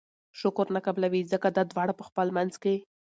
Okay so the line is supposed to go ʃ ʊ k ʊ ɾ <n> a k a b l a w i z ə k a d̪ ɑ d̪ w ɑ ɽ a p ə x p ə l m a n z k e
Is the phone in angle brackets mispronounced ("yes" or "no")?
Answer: no